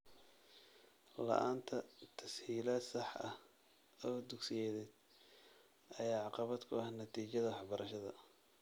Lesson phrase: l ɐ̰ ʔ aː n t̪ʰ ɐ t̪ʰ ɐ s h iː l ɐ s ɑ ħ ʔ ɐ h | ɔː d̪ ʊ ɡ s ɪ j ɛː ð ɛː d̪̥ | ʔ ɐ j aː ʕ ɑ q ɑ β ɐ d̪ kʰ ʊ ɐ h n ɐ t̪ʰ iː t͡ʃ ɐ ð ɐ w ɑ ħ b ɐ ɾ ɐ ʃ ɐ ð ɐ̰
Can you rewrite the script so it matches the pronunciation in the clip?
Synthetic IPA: l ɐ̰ ʔ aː n t̪ʰ ɐ t̪ʰ ɐ s h iː l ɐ s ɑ ħ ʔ ɐ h | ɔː d̪ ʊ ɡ s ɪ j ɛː ð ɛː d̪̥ | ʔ ɐ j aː ʕ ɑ q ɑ β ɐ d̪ kʰ ʊ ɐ h n ɐ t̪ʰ iː t͡ʃ ɐ ð ɐ w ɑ ħ b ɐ ɾ ɐ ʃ ɐ ð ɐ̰